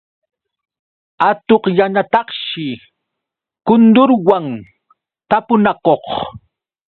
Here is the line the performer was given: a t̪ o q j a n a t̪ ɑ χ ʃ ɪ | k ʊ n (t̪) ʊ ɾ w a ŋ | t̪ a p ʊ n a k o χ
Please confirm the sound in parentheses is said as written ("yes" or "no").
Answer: no